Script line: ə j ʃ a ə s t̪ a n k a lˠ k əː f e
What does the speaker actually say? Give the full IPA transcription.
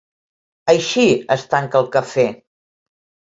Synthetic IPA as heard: ə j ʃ i ə s t̪ a ŋ k ə lˠ k ə f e